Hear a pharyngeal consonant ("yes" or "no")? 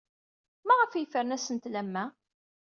no